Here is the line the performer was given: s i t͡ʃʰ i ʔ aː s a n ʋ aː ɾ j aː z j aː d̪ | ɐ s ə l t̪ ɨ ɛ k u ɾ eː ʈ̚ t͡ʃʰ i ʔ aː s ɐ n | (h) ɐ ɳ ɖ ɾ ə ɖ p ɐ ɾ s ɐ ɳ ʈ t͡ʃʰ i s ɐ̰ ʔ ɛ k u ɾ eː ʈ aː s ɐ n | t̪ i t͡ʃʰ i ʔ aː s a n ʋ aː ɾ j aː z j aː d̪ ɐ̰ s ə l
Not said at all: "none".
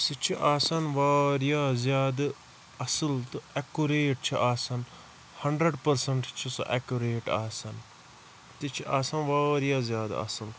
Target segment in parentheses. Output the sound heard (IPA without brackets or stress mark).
h